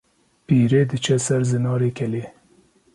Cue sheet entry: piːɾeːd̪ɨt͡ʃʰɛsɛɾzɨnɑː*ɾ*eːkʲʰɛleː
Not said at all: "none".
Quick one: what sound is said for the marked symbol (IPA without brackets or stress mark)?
ɾ